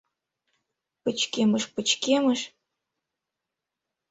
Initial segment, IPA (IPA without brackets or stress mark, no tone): p